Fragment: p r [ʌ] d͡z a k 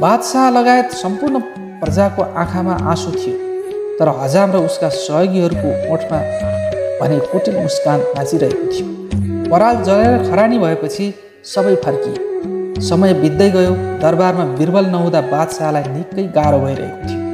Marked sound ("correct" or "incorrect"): correct